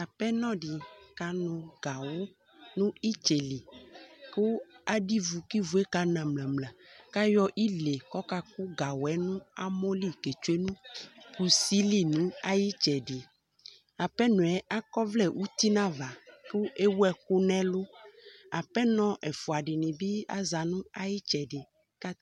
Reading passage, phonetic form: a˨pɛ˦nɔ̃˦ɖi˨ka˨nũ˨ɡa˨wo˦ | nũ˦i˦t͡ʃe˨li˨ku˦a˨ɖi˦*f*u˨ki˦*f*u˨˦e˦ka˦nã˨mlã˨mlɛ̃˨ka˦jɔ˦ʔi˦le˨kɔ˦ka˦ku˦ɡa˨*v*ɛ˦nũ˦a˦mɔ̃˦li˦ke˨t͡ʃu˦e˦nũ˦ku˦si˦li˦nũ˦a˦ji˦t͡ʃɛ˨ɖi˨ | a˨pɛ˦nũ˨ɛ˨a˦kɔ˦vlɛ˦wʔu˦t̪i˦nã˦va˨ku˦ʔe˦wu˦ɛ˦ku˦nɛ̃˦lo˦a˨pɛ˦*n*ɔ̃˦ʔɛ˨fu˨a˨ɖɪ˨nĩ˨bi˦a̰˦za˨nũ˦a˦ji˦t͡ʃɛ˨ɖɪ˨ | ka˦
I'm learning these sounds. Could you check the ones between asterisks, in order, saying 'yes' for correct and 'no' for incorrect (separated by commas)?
no, no, no, yes